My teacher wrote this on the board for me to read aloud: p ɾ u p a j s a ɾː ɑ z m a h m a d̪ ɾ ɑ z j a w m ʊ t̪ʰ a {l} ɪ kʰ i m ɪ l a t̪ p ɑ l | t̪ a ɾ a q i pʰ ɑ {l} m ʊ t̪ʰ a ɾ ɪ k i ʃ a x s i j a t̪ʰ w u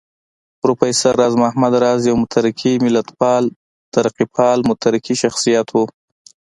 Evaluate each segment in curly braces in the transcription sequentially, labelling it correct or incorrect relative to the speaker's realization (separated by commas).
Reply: incorrect, correct